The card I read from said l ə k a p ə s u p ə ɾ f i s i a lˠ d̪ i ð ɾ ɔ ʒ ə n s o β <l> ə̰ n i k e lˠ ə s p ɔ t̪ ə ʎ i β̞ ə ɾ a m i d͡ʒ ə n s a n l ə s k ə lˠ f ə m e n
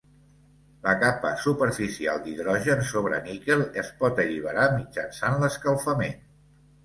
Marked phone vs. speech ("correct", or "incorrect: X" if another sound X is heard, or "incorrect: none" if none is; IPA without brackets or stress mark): incorrect: ɾ